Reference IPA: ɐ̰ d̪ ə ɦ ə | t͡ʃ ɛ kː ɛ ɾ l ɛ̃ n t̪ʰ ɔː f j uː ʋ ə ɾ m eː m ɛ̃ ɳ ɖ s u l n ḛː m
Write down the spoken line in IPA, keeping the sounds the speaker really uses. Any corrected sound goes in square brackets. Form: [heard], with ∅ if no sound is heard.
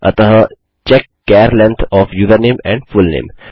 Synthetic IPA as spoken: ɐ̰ [t̪] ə ɦ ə | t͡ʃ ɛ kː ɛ ɾ l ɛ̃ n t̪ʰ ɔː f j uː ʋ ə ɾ [n] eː m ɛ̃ ɳ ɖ [f] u l n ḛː m